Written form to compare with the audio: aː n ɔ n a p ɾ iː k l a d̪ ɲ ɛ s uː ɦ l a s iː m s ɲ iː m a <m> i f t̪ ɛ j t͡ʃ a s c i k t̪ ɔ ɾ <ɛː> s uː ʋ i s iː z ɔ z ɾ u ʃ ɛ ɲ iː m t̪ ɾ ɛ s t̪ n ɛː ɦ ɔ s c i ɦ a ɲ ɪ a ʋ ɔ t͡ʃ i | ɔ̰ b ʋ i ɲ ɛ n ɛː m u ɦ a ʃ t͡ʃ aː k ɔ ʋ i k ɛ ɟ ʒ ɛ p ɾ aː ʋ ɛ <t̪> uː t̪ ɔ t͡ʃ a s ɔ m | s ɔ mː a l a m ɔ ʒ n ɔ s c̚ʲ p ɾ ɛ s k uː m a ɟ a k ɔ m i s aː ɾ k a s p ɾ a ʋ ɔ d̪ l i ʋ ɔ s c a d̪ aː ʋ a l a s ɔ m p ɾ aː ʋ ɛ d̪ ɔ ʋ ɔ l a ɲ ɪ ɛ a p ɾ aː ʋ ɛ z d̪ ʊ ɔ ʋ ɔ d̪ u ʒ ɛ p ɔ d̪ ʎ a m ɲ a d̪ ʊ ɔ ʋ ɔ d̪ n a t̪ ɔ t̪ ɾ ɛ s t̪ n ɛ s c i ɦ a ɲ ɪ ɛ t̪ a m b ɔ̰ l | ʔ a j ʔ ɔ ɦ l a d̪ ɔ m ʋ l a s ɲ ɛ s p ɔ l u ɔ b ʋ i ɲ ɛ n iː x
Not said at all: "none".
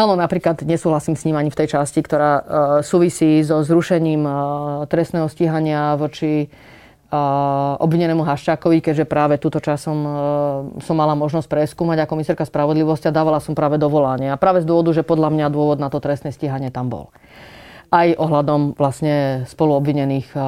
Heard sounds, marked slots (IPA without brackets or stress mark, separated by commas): ɲ, aː, t̪